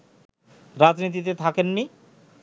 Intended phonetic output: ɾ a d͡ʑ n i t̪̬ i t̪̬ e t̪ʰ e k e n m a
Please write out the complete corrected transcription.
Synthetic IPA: ɾ a d͡ʑ n i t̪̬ i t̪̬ e t̪ʰ a k e n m i